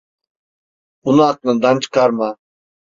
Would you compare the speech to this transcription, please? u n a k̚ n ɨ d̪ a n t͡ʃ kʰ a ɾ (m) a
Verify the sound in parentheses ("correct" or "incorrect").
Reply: correct